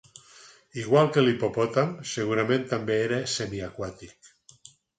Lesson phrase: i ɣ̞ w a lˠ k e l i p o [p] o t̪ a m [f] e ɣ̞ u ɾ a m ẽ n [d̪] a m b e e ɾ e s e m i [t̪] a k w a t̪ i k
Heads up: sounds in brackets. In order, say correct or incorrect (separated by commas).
correct, incorrect, incorrect, incorrect